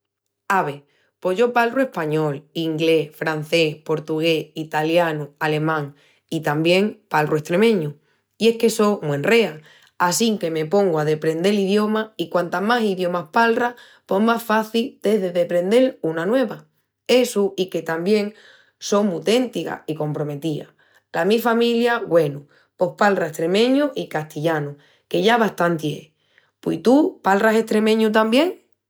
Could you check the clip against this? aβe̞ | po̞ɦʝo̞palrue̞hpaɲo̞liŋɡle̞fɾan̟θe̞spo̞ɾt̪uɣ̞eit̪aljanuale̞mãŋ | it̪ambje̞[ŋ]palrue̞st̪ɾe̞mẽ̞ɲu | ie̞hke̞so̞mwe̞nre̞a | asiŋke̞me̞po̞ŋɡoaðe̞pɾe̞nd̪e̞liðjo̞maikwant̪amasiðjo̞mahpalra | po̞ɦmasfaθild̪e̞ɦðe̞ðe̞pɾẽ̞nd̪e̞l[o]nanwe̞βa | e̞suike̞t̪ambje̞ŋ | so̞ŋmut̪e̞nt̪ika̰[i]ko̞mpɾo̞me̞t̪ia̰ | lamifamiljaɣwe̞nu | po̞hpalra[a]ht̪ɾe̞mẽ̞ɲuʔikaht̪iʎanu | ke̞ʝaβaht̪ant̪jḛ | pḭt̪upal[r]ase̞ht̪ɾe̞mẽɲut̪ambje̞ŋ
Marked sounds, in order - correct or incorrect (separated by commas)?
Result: correct, incorrect, correct, incorrect, correct